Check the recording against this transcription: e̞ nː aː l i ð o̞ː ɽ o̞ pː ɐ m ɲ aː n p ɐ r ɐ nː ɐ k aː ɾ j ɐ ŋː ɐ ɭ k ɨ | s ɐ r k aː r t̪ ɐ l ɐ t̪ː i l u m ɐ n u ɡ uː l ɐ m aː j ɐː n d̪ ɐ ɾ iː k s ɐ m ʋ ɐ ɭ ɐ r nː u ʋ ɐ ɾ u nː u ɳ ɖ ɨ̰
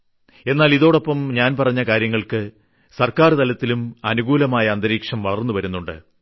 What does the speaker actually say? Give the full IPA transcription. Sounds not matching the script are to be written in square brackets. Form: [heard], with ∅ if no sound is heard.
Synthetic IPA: e̞ nː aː l i ð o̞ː ɽ o̞ pː ɐ m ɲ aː n p ɐ r ɐ [ɲː] ɐ k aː ɾ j ɐ ŋː ɐ ɭ k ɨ | s ɐ r k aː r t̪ ɐ l ɐ t̪ː i l u m ɐ n u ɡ uː l ɐ m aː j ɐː n d̪ ɐ ɾ iː k [ʂ] ɐ m ʋ ɐ ɭ ɐ r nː u ʋ ɐ ɾ u nː u ɳ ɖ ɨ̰

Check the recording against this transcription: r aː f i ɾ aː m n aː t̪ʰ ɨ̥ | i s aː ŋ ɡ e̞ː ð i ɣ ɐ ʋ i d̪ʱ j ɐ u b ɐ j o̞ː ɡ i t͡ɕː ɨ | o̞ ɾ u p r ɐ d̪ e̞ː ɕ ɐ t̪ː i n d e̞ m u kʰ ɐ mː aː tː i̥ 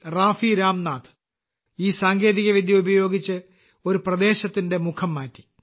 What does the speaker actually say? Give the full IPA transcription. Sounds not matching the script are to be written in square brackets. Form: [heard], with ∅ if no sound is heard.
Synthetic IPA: r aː f i ɾ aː m n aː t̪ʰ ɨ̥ | [iː] s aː ŋ ɡ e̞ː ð i ɣ ɐ ʋ i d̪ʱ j ɐ u b ɐ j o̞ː ɡ i t͡ɕː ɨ | o̞ ɾ u p r ɐ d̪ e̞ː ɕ ɐ t̪ː i n d e̞ m u kʰ ɐ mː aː tː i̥

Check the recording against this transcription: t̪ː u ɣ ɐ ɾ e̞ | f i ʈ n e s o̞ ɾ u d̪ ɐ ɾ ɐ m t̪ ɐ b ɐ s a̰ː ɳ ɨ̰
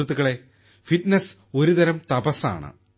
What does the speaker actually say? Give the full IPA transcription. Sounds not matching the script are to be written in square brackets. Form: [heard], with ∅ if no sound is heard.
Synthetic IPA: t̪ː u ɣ ɐ [ɭ] e̞ | f i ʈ n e s o̞ ɾ u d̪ ɐ ɾ ɐ m t̪ ɐ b ɐ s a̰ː ɳ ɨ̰

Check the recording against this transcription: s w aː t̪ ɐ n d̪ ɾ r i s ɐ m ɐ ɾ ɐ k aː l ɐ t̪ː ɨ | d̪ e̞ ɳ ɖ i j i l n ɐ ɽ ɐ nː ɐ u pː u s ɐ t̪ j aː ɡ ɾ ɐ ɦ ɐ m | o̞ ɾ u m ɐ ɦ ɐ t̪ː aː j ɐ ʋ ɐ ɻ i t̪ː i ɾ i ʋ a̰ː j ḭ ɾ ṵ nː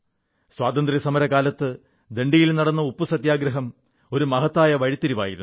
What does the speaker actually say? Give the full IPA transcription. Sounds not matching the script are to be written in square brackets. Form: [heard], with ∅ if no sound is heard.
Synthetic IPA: s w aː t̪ ɐ n d̪ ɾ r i s ɐ m ɐ ɾ ɐ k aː l ɐ t̪ː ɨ | d̪ e̞ ɳ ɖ i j i l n ɐ ɽ ɐ nː ɐ u pː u s ɐ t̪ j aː ɡ ɾ ɐ ɦ ɐ m | o̞ ɾ u m ɐ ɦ ɐ t̪ː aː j ɐ ʋ ɐ ɻ i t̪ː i ɾ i ʋ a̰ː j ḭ ɾ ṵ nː

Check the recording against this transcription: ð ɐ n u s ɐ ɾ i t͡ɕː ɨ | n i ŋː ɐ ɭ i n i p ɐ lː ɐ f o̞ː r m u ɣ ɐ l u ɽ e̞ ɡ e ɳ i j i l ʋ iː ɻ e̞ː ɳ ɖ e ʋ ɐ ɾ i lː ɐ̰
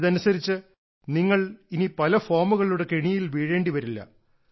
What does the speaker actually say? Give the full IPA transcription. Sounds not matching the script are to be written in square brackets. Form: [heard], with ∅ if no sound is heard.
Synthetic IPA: ð ɐ n u s ɐ ɾ i t͡ɕː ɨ | n i ŋː ɐ ɭ i n i p ɐ [l] ɐ f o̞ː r m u ɣ ɐ [ɭ] u ɽ e̞ [k] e ɳ i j i l ʋ iː ɻ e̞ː ɳ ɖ [i] ʋ ɐ ɾ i lː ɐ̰

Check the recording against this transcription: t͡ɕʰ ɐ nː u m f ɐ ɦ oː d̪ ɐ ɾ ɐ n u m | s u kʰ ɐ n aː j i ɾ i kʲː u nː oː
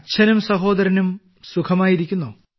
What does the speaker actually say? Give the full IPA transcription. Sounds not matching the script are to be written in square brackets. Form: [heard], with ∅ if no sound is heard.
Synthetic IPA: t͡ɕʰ ɐ [n] u m [s] ɐ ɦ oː d̪ ɐ ɾ ɐ n u m | s u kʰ ɐ [m] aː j i ɾ i kʲː u nː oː

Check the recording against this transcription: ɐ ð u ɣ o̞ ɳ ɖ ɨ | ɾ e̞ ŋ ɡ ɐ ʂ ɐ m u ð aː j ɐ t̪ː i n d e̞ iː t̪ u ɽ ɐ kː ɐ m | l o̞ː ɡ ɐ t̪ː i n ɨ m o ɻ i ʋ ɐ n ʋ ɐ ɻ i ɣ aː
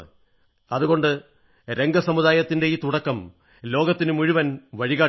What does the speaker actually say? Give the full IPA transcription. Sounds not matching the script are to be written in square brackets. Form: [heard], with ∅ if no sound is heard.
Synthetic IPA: ɐ ð u ɣ o̞ ɳ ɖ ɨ | ɾ e̞ ŋ ɡ ɐ [s] ɐ m u ð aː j ɐ t̪ː i n d e̞ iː t̪ u ɽ ɐ kː ɐ m | l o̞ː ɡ ɐ t̪ː i n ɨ m [u] ɻ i ʋ ɐ n ʋ ɐ ɻ i ɣ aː

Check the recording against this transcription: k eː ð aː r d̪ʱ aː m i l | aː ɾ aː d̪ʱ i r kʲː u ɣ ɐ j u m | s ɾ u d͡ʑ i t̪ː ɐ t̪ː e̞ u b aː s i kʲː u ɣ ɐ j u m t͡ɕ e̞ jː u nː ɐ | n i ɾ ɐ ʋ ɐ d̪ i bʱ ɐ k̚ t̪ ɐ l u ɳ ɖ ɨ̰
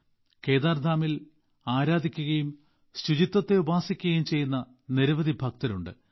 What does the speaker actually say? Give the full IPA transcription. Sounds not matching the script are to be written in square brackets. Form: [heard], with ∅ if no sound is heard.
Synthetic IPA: k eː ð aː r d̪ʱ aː m i l | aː ɾ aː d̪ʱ i [∅] kʲː u ɣ ɐ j u m | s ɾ u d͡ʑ i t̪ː ɐ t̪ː e̞ u b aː s i kʲː u ɣ ɐ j u m t͡ɕ e̞ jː u nː ɐ | n i ɾ ɐ ʋ ɐ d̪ i bʱ ɐ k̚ t̪ ɐ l u ɳ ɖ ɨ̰

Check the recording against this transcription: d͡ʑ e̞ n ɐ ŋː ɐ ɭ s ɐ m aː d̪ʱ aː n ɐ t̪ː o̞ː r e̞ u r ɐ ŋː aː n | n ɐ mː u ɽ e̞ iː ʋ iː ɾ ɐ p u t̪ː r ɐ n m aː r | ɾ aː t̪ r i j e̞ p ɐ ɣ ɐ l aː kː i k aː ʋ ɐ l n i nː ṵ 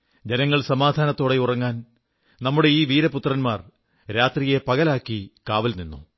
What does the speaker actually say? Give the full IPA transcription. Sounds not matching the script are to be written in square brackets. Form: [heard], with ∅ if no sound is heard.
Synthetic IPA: d͡ʑ e̞ n ɐ ŋː ɐ ɭ s ɐ m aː d̪ʱ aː n ɐ t̪ː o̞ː [ɽ] e̞ u r ɐ ŋː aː n | n ɐ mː u ɽ e̞ iː ʋ iː ɾ ɐ p u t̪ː r ɐ n m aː r | ɾ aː t̪ r i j e̞ p ɐ ɣ ɐ l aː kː i k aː ʋ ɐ l n i nː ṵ

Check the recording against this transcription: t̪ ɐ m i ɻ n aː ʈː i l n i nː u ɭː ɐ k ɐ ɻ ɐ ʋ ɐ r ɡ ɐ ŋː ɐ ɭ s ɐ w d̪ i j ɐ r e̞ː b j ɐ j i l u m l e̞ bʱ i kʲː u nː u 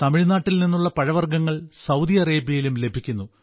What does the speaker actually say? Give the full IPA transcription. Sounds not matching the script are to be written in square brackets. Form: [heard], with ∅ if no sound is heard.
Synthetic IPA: t̪ ɐ m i ɻ n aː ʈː i l n i nː u ɭː ɐ [p] ɐ ɻ ɐ ʋ ɐ r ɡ ɐ ŋː ɐ ɭ s ɐ w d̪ i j ɐ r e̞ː b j ɐ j i l u m l e̞ bʱ i kʲː u nː u

